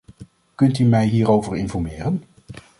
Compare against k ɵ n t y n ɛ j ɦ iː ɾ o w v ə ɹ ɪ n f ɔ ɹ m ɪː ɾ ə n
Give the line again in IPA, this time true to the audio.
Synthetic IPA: k ɵ n t y m ɛ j ɦ iː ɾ o w v ə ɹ ɪ n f ɔ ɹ m ɪː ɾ ə n